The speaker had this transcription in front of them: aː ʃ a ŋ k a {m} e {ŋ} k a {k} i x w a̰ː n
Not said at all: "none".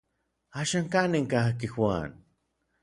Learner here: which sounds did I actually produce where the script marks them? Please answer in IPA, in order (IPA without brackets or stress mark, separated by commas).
n, ŋ, k